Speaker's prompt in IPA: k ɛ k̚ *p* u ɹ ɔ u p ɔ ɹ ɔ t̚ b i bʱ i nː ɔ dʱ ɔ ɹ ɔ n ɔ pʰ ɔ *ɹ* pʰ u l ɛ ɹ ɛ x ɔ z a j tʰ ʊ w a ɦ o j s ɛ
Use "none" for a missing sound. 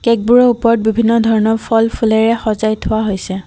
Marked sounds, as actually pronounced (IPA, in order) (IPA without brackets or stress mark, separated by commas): b, l